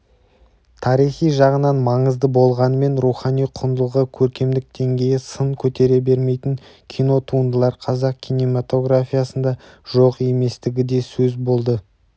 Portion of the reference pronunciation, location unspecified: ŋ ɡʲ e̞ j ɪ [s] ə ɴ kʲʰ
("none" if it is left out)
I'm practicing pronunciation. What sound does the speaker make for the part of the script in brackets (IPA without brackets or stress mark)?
s